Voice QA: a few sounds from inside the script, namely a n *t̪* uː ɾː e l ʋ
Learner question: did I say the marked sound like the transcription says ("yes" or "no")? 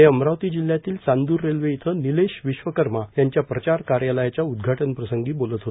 no